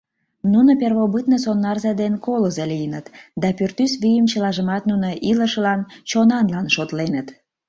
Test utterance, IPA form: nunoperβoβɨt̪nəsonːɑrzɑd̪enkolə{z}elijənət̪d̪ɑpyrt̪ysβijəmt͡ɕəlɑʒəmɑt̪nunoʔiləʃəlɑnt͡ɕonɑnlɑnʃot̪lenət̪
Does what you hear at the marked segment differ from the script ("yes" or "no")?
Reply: no